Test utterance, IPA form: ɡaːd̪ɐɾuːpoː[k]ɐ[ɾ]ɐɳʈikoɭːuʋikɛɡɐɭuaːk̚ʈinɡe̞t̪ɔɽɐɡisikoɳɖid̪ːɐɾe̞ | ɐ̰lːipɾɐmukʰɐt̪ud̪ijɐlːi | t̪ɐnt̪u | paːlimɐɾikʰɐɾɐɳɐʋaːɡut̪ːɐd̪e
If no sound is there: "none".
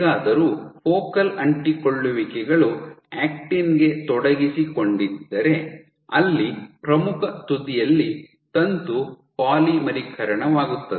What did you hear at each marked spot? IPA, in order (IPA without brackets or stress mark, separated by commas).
k, l